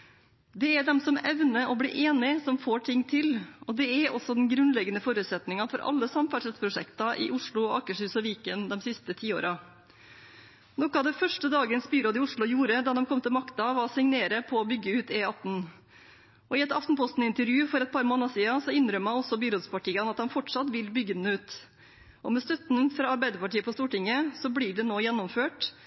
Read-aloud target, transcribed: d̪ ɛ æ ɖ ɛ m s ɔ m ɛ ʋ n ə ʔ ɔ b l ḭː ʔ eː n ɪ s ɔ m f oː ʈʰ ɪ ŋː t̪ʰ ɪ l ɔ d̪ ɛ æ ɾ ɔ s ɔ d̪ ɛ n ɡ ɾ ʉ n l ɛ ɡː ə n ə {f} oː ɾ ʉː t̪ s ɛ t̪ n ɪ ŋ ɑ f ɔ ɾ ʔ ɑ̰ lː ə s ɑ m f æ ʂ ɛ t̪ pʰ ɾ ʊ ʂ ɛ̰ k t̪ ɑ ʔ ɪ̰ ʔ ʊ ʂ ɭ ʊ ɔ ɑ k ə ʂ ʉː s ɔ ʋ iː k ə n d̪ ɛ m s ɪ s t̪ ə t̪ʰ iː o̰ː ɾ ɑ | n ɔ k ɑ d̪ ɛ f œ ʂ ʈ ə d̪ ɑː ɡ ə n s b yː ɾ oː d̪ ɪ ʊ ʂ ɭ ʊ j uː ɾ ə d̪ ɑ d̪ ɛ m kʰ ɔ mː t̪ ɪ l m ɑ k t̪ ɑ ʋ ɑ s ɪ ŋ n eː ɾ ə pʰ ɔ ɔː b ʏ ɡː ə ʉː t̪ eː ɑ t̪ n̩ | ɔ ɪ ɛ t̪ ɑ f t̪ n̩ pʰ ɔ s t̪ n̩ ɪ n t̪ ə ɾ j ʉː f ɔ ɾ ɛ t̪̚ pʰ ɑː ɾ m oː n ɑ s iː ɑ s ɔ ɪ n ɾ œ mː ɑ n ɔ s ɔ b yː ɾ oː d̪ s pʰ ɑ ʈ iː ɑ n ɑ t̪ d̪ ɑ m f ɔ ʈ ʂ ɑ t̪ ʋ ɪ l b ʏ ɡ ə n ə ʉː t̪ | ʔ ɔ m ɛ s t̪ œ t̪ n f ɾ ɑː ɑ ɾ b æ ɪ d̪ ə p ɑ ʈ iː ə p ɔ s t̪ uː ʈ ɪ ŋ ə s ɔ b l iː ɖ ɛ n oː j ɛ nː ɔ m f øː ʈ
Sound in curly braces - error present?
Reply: no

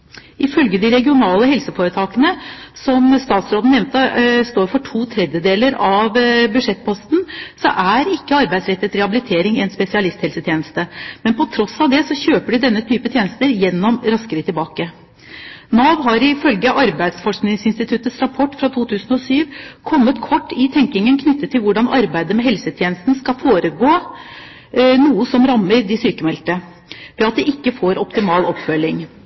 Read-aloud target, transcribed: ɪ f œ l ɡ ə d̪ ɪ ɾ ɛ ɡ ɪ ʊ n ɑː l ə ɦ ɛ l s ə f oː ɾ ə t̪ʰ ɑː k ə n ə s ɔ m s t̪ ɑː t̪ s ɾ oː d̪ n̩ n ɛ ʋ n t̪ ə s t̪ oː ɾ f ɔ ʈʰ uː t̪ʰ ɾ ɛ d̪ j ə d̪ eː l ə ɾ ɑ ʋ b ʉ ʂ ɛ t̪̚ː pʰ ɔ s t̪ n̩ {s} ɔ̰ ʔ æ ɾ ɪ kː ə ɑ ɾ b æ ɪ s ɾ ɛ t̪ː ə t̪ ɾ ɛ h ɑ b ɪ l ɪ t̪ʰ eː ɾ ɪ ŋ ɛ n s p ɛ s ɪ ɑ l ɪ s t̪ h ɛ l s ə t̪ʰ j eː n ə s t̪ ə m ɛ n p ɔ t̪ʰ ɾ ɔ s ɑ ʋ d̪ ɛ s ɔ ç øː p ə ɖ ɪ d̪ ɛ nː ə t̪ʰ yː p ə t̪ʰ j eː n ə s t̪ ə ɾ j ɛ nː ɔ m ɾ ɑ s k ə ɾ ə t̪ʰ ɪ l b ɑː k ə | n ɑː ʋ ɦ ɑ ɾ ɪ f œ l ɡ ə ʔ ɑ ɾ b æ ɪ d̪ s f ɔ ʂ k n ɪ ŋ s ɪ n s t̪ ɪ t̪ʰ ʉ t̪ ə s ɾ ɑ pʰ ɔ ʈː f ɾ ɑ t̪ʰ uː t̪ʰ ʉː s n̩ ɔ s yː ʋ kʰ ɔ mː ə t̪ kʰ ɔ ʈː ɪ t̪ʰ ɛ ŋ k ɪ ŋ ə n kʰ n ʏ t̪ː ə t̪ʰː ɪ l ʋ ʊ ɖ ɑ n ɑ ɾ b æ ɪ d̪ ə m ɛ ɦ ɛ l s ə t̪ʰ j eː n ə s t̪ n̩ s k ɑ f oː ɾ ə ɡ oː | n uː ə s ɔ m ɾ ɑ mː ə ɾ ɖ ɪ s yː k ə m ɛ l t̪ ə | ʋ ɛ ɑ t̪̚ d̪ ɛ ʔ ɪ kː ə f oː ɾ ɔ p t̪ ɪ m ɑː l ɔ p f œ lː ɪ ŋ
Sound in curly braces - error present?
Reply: no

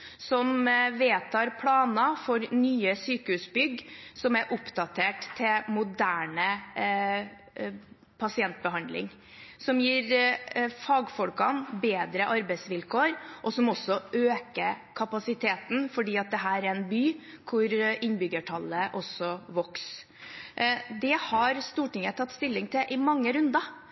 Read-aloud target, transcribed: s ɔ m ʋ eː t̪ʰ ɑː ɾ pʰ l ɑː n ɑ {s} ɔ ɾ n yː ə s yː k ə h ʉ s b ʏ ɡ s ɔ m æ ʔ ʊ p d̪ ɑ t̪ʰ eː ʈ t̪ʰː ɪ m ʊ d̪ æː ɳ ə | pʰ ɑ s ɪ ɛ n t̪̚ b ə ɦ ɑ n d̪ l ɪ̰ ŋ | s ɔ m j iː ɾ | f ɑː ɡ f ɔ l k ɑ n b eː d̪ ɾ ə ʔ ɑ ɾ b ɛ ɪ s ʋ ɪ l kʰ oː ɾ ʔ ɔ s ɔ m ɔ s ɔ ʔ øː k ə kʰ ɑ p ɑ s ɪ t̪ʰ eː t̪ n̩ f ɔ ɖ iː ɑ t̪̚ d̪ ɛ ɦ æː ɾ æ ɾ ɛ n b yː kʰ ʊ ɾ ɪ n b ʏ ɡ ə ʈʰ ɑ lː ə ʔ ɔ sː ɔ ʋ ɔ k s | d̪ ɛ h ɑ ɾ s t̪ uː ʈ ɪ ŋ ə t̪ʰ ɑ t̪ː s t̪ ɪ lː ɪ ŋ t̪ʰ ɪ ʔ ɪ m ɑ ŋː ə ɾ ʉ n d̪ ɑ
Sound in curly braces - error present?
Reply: yes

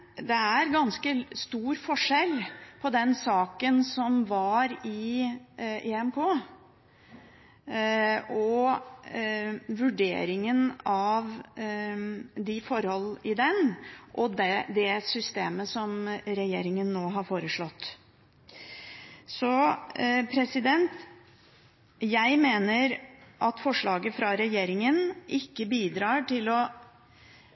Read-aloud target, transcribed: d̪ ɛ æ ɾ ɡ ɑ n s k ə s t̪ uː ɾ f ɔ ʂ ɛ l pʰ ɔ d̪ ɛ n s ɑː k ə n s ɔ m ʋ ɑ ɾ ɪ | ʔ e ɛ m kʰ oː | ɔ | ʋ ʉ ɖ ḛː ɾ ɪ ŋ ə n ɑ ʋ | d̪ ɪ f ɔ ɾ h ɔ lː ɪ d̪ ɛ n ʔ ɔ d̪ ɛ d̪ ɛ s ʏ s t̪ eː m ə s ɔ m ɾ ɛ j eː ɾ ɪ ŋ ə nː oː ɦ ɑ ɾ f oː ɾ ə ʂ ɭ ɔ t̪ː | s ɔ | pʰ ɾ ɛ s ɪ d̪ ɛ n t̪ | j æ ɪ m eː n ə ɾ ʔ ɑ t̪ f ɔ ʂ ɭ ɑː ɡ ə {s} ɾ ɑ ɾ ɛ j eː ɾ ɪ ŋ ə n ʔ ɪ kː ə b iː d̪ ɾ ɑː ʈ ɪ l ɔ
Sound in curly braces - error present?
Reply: yes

